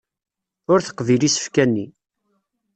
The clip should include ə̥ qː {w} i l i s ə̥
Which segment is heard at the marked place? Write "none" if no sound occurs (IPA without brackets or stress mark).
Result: v